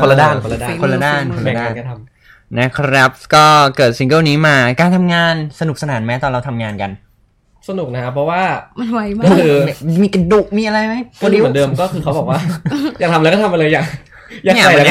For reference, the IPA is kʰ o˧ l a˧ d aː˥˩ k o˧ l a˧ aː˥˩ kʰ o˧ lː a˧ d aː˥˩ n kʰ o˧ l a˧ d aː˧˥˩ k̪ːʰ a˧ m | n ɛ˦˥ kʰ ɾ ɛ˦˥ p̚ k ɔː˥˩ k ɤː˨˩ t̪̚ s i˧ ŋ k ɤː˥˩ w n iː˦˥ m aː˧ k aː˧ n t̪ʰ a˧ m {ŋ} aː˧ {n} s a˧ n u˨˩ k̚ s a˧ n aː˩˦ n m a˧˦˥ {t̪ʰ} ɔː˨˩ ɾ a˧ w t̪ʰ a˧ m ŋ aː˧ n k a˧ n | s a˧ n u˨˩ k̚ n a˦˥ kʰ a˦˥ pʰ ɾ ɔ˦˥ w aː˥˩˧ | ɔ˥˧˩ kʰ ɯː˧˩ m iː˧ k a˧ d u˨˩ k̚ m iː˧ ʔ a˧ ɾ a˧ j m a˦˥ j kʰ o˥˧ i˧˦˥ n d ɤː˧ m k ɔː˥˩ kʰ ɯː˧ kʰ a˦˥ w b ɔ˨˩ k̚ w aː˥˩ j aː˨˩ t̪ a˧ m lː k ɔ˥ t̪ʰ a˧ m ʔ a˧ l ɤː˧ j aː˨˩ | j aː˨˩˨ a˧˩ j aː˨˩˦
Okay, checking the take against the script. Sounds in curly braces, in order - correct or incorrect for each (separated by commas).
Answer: correct, correct, incorrect